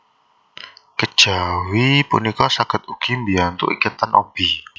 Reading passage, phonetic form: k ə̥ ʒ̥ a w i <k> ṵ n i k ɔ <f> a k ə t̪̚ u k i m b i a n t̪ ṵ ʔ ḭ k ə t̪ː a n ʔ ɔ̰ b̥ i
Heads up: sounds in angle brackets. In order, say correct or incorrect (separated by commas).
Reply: incorrect, incorrect